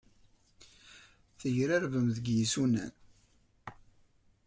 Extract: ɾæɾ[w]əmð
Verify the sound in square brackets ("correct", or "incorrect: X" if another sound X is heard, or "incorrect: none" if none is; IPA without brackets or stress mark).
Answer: incorrect: v